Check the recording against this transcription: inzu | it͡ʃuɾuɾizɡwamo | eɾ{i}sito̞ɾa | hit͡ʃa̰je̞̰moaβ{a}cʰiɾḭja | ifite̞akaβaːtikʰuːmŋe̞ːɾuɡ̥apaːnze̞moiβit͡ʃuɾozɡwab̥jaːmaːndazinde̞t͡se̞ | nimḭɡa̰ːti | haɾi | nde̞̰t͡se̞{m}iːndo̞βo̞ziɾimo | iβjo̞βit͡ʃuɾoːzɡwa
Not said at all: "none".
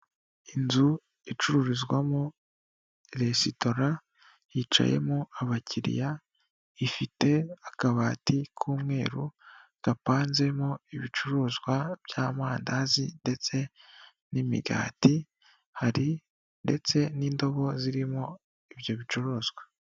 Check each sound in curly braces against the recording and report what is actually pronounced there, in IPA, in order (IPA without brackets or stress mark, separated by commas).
e, a, n